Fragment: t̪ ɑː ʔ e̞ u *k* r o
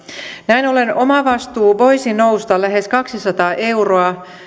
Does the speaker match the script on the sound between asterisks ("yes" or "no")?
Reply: no